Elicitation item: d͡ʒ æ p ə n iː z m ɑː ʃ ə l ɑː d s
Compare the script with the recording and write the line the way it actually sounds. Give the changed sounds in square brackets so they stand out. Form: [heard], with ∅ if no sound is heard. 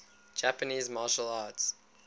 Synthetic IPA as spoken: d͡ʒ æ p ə n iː z m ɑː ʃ ə l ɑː [t] s